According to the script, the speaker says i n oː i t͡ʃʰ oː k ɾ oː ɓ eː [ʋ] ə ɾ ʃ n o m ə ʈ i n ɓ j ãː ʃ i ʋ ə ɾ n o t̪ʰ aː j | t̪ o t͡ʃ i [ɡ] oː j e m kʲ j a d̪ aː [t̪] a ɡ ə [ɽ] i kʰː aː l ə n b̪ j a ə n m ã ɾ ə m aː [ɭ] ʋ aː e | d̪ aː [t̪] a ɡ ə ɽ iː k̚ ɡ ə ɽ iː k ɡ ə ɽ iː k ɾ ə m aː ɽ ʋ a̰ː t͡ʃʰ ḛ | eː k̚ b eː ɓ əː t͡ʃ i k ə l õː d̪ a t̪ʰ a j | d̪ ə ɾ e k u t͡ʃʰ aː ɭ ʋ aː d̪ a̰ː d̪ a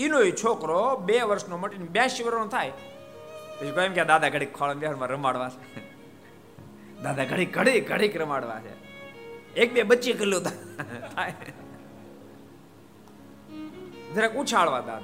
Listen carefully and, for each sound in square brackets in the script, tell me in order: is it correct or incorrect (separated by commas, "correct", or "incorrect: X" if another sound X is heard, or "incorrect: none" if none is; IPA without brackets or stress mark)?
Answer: correct, incorrect: k, incorrect: d̪, correct, incorrect: ɽ, incorrect: d̪